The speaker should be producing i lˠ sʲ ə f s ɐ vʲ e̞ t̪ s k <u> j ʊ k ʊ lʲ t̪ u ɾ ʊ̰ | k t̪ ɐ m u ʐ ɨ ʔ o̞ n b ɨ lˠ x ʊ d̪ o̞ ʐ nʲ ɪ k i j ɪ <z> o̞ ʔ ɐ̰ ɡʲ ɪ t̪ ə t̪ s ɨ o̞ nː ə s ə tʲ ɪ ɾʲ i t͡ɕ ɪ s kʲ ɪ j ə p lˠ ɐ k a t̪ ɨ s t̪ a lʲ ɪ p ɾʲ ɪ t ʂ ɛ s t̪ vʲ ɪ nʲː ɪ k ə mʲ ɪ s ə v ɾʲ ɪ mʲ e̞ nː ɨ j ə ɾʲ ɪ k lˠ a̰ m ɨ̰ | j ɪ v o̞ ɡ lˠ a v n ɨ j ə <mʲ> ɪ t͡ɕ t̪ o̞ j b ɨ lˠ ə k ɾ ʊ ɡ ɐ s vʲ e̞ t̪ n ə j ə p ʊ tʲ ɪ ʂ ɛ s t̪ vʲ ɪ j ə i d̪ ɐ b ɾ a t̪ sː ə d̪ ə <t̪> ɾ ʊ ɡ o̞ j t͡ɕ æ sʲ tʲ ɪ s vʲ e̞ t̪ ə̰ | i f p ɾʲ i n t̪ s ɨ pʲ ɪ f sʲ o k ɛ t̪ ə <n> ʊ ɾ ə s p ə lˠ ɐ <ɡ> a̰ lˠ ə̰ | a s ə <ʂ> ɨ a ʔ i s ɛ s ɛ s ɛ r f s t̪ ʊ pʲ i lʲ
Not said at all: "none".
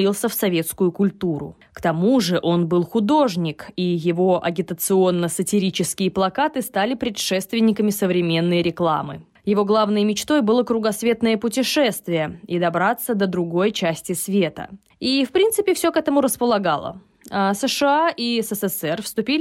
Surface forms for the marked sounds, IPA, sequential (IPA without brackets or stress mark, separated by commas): ʊ, v, mʲ, d̪, m, ɡ, ʂ